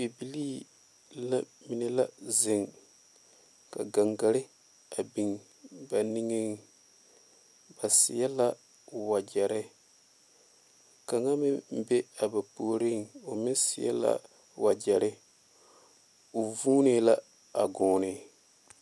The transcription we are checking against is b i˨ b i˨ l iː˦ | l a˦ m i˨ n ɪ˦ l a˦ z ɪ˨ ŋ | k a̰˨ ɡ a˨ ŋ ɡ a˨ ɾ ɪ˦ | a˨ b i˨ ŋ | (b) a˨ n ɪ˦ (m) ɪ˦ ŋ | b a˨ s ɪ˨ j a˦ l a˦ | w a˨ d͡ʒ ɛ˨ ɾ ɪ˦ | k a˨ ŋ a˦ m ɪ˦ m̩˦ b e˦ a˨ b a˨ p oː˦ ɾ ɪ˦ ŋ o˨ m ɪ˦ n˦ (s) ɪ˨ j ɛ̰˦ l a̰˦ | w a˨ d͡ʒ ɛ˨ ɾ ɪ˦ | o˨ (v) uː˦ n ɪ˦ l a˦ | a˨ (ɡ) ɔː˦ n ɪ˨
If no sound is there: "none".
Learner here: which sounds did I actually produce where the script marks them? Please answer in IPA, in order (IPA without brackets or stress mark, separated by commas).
b, ŋ, s, v, ɡ